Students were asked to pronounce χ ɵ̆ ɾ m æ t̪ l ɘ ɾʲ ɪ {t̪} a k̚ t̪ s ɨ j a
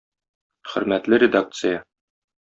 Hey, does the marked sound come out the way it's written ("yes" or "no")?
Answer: no